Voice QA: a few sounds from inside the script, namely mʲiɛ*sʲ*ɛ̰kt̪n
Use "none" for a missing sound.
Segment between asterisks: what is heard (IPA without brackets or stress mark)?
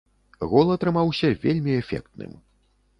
fʲ